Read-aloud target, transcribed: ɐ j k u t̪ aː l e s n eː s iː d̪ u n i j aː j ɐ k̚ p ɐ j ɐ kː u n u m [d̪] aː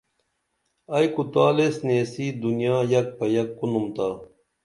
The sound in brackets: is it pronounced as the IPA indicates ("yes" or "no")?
no